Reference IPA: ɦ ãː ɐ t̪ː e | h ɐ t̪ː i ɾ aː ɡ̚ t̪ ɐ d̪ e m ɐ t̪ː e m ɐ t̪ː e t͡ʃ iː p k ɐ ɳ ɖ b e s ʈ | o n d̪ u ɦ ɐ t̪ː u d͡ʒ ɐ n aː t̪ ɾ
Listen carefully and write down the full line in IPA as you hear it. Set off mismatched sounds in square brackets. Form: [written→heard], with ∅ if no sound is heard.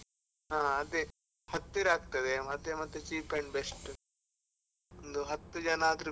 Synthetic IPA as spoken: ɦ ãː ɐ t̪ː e | h ɐ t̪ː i ɾ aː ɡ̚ t̪ ɐ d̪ e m ɐ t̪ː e m ɐ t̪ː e t͡ʃ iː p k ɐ ɳ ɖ b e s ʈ | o n d̪ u ɦ ɐ t̪ː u d͡ʒ ɐ n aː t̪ ɾ